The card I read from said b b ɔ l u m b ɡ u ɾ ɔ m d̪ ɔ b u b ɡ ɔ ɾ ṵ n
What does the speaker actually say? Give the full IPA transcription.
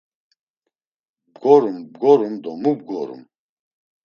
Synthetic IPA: b ɡ ɔ ɾ u m b ɡ ɔ ɾ u m d̪ ɔ m u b ɡ ɔ ɾ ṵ m